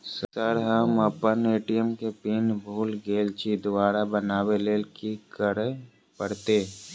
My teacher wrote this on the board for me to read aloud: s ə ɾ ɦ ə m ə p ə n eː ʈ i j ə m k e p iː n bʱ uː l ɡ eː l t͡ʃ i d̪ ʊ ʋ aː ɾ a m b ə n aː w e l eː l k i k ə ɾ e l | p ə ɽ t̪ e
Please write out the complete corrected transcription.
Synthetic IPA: s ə ɾ ɦ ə m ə p ə n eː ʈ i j ə m k e p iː n bʱ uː l ɡ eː l t͡ʃ i d̪ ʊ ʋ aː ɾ a b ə n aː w e l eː l k i k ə ɾ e | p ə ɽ t̪ e

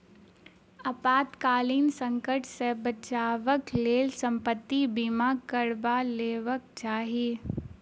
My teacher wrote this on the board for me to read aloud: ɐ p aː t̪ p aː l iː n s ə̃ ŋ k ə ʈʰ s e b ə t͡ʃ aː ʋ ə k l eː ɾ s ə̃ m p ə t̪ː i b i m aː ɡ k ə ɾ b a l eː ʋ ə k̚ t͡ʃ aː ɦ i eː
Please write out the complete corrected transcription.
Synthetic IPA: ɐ p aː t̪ k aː l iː n s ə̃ ŋ k ə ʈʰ s e b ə t͡ʃ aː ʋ ə k l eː l s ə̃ m p ə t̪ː i b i m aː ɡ k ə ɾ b a l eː ʋ ə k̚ t͡ʃ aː ɦ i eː

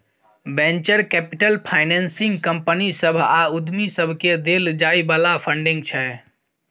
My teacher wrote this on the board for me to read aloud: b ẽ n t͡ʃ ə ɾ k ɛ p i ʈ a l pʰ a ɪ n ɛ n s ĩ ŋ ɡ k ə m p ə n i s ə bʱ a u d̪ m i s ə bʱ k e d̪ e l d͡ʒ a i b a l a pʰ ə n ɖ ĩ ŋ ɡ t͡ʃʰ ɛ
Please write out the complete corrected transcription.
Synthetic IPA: b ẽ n t͡ʃ ə ɾ k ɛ p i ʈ ə l pʰ a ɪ n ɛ n s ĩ ŋ ɡ k ə m p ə n i s ə bʱ a u d̪ m i s ə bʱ k e d̪ e l d͡ʒ a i b a l a pʰ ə ɳ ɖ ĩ ŋ ɡ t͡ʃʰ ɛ

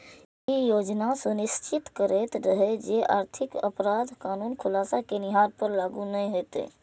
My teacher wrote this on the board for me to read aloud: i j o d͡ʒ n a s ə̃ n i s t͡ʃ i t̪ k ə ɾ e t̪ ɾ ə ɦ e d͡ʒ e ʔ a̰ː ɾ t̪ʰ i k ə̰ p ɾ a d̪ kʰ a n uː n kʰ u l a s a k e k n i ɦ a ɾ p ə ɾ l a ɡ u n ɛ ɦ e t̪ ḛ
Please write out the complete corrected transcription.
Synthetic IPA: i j o d͡ʒ n a s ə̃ n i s t͡ʃ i t̪ k ə ɾ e t̪ ɾ ə ɦ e d͡ʒ e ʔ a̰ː ɾ t̪ʰ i k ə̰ p ɾ a d̪ k a n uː n kʰ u l a s a k e n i ɦ a ɾ p ə ɾ l a ɡ u n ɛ ɦ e t̪ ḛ

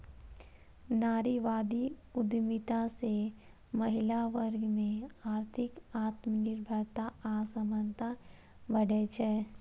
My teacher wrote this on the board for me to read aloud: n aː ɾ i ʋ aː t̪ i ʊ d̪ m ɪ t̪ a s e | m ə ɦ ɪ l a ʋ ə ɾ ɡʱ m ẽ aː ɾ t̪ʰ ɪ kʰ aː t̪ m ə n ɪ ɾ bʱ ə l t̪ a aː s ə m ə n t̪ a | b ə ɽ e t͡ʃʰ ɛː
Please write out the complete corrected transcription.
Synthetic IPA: n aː ɾ i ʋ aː d̪ i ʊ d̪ m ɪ t̪ a s e | m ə ɦ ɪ l a ʋ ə ɾ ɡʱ m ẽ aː ɾ t̪ʰ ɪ k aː t̪ m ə n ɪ ɾ bʱ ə ɾ t̪ a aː s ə m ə n t̪ a | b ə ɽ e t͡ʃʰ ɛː

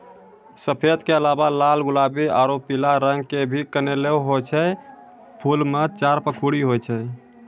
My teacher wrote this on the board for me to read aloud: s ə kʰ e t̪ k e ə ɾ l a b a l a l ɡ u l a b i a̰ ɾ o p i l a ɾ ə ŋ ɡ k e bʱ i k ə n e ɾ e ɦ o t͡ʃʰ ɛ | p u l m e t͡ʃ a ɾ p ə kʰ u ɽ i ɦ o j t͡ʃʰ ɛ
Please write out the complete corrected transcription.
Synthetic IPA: s ə pʰ e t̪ k e ə l a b a l a l ɡ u l a b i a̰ ɾ o p i l a ɾ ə ŋ ɡ k e bʱ i k ə n e l e ɦ o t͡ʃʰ ɛ | pʰ u l m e t͡ʃ a ɾ p ə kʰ u ɽ i ɦ o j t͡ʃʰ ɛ

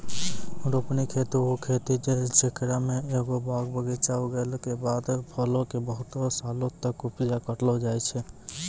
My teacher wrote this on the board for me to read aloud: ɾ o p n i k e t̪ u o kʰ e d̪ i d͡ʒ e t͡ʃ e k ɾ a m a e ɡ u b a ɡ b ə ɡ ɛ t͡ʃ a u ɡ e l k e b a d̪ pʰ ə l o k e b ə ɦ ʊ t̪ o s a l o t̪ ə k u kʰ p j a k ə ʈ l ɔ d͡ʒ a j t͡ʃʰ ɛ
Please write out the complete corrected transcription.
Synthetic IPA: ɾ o p n i kʰ e t̪ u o kʰ e t̪ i d͡ʒ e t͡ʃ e k ɾ a m e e ɡ o b a ɡ b ə ɡ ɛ t͡ʃ a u ɡ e l k e b a d̪ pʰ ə l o k e b ə ɦ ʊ t̪ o s a l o t̪ ə k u p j a k ə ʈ l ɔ d͡ʒ a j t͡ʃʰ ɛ

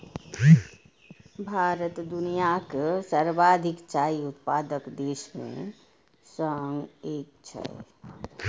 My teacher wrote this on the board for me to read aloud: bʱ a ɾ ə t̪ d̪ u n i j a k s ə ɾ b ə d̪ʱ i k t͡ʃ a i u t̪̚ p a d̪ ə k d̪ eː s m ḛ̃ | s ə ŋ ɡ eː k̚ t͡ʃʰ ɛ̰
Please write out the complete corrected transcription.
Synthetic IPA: bʱ a ɾ ə t̪ d̪ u n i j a k s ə ɾ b a d̪ʱ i k t͡ʃ a i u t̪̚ p a d̪ ə k d̪ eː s m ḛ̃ | s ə ŋ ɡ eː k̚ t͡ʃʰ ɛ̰

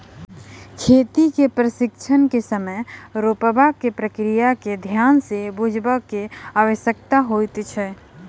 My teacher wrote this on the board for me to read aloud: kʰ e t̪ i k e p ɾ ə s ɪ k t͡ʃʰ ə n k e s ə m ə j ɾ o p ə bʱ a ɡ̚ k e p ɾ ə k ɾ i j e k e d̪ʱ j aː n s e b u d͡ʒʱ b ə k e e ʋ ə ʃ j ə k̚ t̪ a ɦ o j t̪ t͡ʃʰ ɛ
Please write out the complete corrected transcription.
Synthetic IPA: kʰ e t̪ i k e p ɾ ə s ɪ k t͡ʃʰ ə n k e s ə m ə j ɾ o p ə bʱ a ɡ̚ k e p ɾ ə k ɾ i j a k e d̪ʱ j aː n s e b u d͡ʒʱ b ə k e a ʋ ə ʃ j ə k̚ t̪ a ɦ o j t̪ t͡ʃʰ ɛ

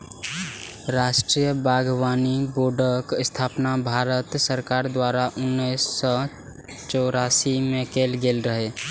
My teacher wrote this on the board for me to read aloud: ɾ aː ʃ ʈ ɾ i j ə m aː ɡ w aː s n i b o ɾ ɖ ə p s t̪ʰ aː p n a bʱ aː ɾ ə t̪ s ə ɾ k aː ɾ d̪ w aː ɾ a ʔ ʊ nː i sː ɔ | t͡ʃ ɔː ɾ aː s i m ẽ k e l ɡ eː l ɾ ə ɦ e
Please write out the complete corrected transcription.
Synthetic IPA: ɾ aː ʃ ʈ ɾ i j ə b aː ɡ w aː n i b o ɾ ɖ ə k s t̪ʰ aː p n a bʱ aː ɾ ə t̪ s ə ɾ k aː ɾ d̪ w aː ɾ a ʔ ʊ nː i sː ɔ | t͡ʃ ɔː ɾ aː s i m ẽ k e l ɡ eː l ɾ ə ɦ e

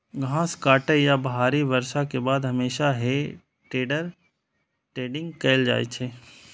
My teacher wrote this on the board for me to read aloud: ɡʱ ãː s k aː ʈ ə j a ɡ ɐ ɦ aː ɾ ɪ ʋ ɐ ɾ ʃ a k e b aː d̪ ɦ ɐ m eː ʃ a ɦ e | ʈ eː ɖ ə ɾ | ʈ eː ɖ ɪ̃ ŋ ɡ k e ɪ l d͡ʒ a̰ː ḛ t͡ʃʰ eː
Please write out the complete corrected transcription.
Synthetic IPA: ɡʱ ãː s k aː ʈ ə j a b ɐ ɦ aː ɾ i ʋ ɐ ɾ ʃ a k e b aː d̪ ɦ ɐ m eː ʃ a ɦ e | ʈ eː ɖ ə ɾ | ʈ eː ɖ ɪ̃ ŋ ɡ k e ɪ l d͡ʒ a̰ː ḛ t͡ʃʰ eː

